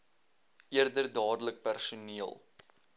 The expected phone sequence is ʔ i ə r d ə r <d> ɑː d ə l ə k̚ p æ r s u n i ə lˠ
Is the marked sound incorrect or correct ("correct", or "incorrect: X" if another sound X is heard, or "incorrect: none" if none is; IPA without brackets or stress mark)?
correct